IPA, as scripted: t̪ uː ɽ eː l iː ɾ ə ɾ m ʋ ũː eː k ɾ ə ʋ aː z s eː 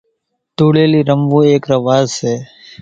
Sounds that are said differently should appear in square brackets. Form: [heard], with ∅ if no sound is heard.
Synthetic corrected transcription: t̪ uː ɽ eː l iː ɾ ə [∅] m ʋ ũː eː k ɾ ə ʋ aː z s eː